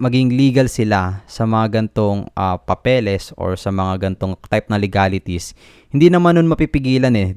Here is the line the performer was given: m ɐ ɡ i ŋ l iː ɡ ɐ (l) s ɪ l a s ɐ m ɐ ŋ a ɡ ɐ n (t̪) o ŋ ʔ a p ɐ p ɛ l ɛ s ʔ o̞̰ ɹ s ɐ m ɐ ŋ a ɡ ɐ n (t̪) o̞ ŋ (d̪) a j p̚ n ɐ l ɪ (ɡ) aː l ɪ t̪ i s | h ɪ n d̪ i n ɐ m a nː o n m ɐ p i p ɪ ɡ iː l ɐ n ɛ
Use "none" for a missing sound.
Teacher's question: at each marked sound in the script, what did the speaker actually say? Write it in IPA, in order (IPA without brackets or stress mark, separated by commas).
l, t̪, t̪, t̪, ɡ